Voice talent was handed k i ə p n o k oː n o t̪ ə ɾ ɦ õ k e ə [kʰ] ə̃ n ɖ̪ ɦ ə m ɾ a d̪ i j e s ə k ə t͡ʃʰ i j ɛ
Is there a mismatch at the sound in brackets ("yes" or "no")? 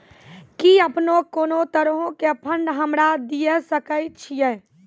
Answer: yes